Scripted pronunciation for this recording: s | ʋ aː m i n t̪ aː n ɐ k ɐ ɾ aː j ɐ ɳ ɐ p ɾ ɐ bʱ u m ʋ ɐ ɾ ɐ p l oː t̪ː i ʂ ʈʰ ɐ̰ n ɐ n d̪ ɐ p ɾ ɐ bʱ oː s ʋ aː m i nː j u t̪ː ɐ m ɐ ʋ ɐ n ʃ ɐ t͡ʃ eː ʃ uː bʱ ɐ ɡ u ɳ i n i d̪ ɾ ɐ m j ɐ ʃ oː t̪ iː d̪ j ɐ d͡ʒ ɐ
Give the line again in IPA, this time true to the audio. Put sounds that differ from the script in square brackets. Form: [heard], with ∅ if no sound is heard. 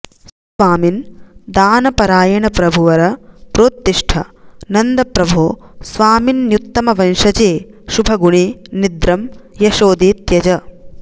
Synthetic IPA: s | ʋ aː m i n [d̪] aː n ɐ [p] ɐ ɾ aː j ɐ ɳ ɐ p ɾ ɐ bʱ u [∅] ʋ ɐ ɾ ɐ p [ɾ] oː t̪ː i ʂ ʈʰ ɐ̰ n ɐ n d̪ ɐ p ɾ ɐ bʱ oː s ʋ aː m i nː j u t̪ː ɐ m ɐ ʋ ɐ n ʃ ɐ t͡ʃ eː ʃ [u] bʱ ɐ ɡ u ɳ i n i d̪ ɾ ɐ m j ɐ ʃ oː [d̪] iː [t̪] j ɐ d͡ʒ ɐ

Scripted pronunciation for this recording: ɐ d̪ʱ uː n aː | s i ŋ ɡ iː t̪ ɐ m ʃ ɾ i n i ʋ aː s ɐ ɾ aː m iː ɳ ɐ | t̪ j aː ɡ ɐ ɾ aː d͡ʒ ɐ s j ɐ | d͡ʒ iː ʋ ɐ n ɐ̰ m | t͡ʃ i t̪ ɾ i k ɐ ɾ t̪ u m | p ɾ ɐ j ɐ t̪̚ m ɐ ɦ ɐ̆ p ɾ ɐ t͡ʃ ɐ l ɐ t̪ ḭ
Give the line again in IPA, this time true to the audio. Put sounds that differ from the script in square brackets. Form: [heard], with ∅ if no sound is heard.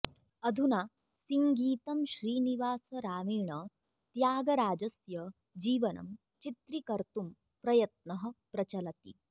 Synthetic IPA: ɐ d̪ʱ [u] n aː | s i ŋ ɡ iː t̪ ɐ m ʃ ɾ [iː] n i ʋ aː s ɐ ɾ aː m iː ɳ ɐ | t̪ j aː ɡ ɐ ɾ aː d͡ʒ ɐ s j ɐ | d͡ʒ iː ʋ ɐ n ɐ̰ m | t͡ʃ i t̪ ɾ i k ɐ ɾ t̪ u m | p ɾ ɐ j ɐ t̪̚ [n] ɐ ɦ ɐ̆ p ɾ ɐ t͡ʃ ɐ l ɐ t̪ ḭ

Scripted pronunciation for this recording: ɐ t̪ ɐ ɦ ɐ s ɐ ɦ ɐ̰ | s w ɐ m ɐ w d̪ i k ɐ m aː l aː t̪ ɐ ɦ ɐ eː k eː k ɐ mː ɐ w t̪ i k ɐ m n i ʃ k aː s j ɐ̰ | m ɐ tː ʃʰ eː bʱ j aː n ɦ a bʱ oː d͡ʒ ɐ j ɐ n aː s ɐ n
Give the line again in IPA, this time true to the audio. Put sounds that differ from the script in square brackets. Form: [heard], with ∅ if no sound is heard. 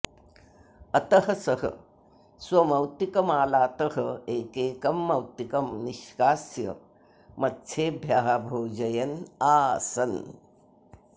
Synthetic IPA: ɐ t̪ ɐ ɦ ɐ s ɐ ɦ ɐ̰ | s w ɐ m ɐ w [t̪] i k ɐ m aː l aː t̪ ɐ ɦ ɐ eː k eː k ɐ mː ɐ w t̪ i k ɐ m n i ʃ k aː s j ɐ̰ | m ɐ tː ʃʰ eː bʱ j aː [∅] ɦ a bʱ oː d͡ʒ ɐ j ɐ n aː s ɐ n

